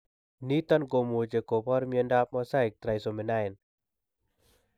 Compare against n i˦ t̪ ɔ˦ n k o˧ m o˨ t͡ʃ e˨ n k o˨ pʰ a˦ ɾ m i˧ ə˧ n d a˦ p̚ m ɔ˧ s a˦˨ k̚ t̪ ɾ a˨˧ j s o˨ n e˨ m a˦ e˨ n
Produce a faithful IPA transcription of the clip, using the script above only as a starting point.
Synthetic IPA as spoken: n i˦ t̪ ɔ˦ n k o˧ m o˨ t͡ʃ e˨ k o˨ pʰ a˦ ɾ m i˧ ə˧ n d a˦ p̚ m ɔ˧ s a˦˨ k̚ t̪ ɾ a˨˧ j s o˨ m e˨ n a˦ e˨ n